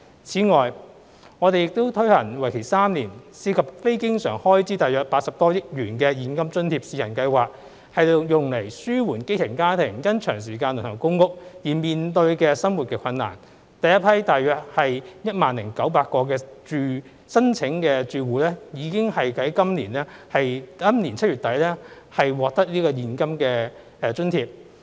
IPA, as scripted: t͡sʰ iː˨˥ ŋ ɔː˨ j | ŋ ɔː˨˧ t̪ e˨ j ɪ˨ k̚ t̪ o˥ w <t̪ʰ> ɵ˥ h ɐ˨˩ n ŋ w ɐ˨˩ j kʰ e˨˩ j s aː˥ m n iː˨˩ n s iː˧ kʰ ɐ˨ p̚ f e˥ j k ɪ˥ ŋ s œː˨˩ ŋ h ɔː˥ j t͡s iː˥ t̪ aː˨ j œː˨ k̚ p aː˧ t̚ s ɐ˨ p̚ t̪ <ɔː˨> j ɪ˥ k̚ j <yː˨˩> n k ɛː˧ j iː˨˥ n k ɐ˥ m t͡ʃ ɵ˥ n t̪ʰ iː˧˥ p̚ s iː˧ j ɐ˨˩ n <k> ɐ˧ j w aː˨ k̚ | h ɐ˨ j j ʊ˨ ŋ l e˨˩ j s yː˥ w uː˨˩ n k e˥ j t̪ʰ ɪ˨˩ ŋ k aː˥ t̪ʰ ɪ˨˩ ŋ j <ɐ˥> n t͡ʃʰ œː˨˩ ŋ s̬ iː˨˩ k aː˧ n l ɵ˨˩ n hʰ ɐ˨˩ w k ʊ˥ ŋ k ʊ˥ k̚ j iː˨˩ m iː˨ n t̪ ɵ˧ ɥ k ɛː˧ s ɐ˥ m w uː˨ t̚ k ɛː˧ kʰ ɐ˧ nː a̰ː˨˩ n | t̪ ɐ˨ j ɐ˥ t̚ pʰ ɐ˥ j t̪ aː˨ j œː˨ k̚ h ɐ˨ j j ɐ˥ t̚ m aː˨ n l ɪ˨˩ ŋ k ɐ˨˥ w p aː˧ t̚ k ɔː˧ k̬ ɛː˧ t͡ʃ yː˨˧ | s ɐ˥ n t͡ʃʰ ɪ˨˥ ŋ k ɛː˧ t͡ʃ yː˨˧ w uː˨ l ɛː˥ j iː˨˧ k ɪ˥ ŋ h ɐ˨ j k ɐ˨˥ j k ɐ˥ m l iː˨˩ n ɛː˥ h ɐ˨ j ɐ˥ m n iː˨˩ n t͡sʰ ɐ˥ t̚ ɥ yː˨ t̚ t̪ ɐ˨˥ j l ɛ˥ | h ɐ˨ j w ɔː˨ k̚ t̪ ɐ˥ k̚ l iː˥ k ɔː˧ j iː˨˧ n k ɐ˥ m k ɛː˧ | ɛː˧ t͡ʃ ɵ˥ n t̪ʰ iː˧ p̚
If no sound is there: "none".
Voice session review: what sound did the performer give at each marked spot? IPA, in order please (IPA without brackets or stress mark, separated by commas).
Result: t̪ʰ, ɔː˥, yː˨˩, k, ɐ˥